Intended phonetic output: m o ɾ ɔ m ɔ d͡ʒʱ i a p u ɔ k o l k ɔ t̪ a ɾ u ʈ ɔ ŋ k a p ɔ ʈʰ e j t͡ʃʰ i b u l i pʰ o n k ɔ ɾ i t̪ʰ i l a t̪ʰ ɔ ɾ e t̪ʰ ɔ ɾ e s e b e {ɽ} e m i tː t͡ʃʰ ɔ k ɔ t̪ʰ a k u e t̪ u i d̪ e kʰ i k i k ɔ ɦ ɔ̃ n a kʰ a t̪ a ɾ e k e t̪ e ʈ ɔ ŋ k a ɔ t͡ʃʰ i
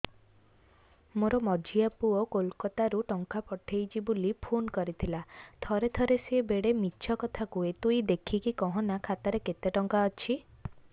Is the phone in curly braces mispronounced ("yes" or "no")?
no